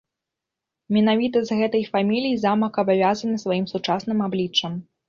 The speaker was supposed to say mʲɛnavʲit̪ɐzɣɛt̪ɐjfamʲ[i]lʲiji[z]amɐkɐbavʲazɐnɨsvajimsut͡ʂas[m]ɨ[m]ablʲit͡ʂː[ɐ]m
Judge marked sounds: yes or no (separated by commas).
yes, yes, no, yes, yes